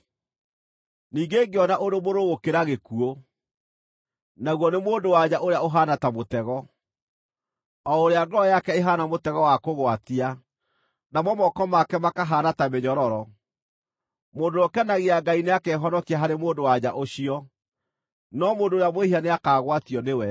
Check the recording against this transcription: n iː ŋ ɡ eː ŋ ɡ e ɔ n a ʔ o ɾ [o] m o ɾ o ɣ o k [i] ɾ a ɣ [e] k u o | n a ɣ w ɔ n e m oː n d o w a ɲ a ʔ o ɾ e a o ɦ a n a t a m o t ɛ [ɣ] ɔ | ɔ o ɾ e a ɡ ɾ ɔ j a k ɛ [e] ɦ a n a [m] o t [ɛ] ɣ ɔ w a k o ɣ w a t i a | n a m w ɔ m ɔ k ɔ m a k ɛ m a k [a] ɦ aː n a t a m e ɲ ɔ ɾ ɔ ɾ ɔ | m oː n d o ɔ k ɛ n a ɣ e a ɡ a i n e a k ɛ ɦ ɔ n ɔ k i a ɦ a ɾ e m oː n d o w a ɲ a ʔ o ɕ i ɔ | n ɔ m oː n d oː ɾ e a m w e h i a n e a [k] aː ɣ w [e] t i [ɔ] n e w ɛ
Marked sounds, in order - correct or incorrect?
correct, incorrect, correct, correct, correct, correct, correct, correct, correct, incorrect, correct

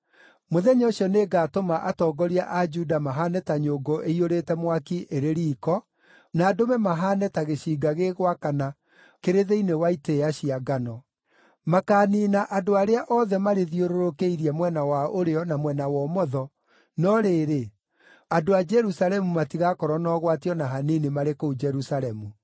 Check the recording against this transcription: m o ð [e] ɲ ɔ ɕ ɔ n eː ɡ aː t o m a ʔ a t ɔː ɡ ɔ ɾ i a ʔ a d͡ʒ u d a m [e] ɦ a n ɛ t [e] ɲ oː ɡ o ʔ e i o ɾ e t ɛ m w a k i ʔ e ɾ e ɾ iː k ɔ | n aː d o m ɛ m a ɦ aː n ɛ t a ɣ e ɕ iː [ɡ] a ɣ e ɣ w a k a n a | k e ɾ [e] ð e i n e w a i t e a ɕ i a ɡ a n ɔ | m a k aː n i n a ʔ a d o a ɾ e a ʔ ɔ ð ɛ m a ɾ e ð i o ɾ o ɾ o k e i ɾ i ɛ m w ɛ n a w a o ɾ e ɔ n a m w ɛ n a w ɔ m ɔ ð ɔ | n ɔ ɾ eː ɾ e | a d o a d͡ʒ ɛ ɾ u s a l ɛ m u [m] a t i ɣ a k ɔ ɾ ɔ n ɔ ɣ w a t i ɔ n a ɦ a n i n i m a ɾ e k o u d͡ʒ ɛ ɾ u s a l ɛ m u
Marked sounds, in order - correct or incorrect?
incorrect, incorrect, incorrect, correct, correct, correct

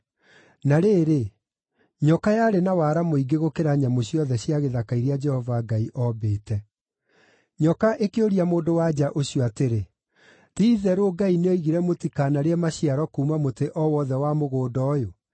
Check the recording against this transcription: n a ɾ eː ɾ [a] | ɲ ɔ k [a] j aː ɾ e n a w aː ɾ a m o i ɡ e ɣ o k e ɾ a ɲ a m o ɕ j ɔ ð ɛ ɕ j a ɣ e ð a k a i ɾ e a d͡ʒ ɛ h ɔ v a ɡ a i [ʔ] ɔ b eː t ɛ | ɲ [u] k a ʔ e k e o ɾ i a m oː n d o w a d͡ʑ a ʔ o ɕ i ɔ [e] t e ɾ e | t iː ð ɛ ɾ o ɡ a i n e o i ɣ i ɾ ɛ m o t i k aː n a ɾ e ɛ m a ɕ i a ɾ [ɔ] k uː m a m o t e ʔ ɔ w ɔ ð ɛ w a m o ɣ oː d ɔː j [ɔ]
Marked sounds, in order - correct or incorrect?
incorrect, correct, correct, incorrect, incorrect, correct, incorrect

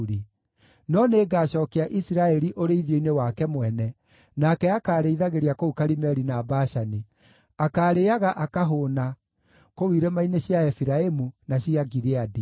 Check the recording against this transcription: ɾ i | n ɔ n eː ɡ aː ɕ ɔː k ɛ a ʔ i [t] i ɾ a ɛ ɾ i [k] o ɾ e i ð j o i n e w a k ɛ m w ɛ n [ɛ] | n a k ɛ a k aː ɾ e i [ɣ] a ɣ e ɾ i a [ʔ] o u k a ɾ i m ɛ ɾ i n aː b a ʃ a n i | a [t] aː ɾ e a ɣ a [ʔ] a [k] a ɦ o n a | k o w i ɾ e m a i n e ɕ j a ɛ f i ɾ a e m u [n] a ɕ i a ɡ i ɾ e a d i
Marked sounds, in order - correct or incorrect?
incorrect, incorrect, correct, incorrect, incorrect, incorrect, correct, correct, correct

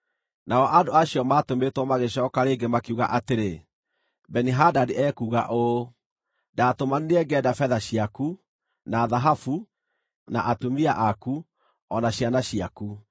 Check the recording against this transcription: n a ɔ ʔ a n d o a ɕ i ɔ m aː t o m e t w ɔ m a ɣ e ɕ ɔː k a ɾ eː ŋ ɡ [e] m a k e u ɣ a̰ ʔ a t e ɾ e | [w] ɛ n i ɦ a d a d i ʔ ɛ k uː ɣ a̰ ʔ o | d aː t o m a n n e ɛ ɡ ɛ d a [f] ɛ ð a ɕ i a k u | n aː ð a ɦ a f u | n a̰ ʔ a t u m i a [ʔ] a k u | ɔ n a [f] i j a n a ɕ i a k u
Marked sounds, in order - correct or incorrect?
correct, incorrect, correct, correct, incorrect

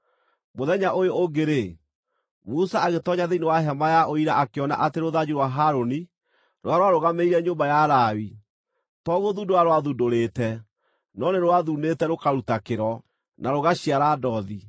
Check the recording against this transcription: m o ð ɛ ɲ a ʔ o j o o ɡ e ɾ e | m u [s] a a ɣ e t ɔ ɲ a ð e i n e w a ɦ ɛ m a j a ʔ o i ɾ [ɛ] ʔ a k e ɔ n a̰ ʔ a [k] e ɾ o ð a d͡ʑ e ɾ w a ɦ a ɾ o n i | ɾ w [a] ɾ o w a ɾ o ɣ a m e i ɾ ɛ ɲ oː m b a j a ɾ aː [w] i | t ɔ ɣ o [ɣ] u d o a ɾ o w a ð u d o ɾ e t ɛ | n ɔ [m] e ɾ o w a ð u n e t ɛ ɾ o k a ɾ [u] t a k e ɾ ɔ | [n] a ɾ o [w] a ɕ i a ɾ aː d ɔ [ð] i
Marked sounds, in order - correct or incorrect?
correct, incorrect, incorrect, correct, correct, incorrect, incorrect, correct, correct, incorrect, correct

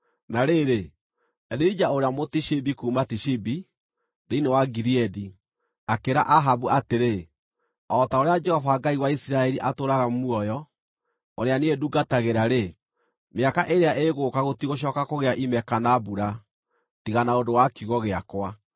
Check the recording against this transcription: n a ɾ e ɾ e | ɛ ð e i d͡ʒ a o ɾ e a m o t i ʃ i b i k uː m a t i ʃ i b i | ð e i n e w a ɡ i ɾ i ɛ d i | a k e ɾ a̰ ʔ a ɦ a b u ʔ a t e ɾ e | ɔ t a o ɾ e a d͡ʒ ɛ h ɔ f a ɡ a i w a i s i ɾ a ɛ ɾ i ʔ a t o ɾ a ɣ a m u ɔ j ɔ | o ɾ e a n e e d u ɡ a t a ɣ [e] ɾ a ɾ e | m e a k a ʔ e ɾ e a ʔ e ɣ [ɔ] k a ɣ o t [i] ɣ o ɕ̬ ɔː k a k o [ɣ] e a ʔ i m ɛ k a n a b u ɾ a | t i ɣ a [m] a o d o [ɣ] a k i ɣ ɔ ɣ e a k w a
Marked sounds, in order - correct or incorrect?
correct, incorrect, correct, correct, incorrect, incorrect

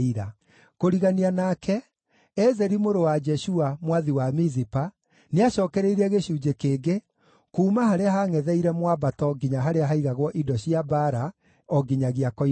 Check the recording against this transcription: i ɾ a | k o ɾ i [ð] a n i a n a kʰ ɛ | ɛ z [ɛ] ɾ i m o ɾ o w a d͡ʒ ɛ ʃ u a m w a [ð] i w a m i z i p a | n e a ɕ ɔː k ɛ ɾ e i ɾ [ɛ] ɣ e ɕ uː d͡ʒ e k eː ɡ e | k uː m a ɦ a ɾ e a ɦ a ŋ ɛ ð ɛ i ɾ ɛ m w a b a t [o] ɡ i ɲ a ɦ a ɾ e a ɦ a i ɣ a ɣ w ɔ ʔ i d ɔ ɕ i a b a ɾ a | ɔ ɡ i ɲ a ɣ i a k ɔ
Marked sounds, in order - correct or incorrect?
incorrect, correct, correct, correct, incorrect

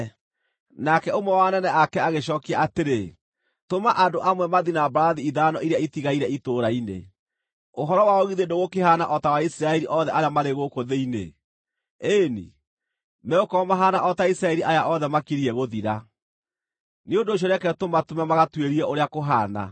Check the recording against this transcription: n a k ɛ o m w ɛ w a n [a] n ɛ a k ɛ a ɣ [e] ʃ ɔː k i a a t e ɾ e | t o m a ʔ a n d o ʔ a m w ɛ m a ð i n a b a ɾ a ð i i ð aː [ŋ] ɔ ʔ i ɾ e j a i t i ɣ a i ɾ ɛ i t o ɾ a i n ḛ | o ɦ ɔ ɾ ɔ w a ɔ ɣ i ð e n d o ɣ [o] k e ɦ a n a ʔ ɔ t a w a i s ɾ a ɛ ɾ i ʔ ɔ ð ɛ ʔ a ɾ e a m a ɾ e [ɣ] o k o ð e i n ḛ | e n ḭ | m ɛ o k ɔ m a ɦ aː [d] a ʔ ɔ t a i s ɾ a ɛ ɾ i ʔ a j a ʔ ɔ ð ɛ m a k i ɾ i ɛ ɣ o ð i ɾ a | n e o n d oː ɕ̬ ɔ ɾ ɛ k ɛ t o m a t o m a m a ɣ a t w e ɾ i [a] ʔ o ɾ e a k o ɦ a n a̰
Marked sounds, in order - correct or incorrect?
incorrect, correct, incorrect, correct, correct, incorrect, incorrect

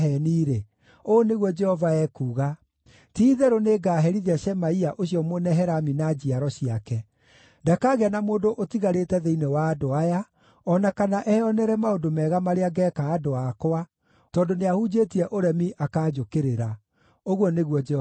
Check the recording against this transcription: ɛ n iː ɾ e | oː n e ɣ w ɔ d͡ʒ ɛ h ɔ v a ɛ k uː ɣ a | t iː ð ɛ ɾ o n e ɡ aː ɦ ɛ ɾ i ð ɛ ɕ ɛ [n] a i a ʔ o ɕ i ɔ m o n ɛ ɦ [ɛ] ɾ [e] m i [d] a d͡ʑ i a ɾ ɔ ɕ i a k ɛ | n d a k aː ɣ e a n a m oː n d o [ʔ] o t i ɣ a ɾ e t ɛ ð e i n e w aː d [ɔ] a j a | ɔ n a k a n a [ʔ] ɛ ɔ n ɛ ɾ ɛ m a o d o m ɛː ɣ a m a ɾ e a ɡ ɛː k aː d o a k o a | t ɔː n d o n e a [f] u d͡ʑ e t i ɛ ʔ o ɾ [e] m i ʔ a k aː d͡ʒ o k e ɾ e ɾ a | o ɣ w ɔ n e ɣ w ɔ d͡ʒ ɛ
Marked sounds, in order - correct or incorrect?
incorrect, correct, incorrect, incorrect, correct, incorrect, correct, incorrect, incorrect

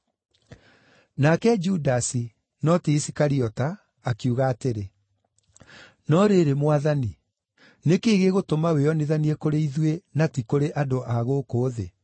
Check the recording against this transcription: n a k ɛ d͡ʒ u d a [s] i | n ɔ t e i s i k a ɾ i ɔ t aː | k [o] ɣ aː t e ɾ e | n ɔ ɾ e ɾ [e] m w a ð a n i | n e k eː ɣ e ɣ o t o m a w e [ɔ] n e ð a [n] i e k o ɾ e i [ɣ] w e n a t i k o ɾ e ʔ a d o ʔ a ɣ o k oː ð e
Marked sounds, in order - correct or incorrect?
correct, incorrect, correct, correct, correct, incorrect

